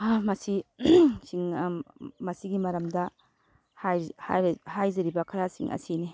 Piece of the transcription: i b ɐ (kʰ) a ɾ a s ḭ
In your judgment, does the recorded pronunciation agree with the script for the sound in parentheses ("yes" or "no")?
yes